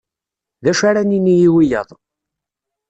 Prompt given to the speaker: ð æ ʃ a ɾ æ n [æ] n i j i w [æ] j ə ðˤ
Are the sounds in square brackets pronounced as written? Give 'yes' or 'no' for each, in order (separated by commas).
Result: no, no